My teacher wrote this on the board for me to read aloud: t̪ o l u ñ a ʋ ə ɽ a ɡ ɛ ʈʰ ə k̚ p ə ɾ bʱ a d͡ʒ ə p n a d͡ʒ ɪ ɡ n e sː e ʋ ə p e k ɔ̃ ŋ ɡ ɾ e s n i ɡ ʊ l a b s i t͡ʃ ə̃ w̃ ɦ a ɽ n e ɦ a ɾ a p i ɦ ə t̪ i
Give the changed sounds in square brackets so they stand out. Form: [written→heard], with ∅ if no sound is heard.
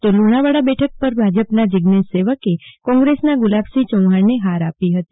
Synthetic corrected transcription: t̪ o l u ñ a ʋ [ə→a] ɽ a [ɡ→b] ɛ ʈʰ ə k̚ p ə ɾ bʱ a d͡ʒ ə p n a d͡ʒ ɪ ɡ n e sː e ʋ ə [p→k] e k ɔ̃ ŋ ɡ ɾ e s n [i→a] ɡ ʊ l a b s i t͡ʃ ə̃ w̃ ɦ a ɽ n e ɦ a ɾ a p i ɦ ə t̪ i

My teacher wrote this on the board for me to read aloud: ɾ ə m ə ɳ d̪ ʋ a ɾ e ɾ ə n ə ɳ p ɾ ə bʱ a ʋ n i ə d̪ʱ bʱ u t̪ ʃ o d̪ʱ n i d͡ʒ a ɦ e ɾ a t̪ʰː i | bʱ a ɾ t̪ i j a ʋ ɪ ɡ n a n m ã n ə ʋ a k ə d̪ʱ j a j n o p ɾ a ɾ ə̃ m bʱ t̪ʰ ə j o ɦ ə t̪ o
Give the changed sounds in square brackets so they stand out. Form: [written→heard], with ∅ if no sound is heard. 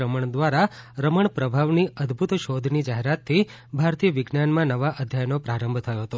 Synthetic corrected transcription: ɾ ə m ə ɳ d̪ ʋ a ɾ [e→a] ɾ ə [n→m] ə ɳ p ɾ ə bʱ a ʋ n i ə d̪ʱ bʱ u t̪ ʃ o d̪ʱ n i d͡ʒ a ɦ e ɾ a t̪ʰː i | bʱ a ɾ t̪ i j [a→ə] ʋ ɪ ɡ n a n m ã n ə ʋ a [k→ʔ] ə d̪ʱ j a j n o p ɾ a ɾ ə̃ m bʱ t̪ʰ ə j o ɦ ə t̪ o

